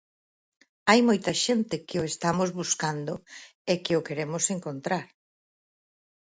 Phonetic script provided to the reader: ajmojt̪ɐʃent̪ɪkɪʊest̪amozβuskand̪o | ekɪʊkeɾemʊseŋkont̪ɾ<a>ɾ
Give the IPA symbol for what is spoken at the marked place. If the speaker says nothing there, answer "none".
a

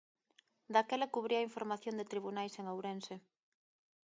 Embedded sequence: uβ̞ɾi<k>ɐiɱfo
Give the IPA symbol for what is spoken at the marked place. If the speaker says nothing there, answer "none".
none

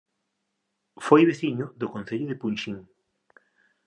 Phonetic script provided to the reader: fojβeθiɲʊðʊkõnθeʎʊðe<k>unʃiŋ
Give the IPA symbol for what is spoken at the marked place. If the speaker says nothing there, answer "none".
p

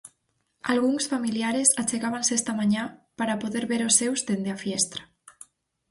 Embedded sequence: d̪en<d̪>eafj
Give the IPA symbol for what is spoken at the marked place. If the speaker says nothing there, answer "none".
d̪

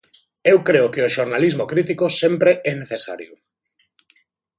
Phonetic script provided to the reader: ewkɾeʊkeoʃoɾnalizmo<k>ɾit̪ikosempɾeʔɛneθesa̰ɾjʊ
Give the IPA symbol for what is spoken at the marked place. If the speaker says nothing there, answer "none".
k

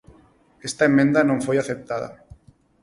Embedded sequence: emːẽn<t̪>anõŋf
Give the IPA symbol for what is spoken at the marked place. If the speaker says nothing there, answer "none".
d̪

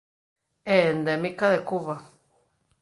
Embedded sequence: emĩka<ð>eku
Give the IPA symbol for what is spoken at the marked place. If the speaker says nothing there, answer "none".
ð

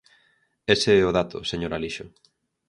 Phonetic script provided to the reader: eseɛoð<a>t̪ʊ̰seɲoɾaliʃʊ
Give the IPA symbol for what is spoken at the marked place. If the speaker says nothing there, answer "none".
a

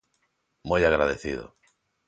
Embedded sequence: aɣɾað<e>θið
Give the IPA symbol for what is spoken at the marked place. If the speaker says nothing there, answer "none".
e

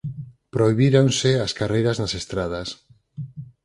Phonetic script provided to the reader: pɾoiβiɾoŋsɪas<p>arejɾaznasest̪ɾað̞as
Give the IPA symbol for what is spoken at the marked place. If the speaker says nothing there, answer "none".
k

